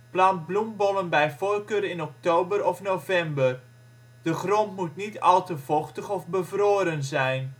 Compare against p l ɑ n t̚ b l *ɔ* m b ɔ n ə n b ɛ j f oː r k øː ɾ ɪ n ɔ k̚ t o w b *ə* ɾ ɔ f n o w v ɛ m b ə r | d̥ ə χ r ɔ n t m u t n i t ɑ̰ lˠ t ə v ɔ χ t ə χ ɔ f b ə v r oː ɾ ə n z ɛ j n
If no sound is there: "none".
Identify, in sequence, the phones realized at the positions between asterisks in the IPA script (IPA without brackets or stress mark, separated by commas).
u, ə